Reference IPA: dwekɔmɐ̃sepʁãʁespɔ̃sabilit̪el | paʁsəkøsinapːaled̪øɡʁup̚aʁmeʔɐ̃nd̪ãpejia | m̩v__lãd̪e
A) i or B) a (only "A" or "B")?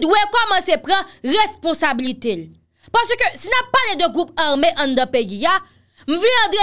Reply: A